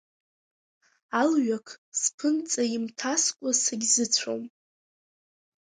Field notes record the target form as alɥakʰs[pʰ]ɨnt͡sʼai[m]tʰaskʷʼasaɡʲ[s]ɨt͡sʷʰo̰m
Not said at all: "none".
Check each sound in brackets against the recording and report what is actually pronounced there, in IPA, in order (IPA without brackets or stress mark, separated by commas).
pʰ, m, z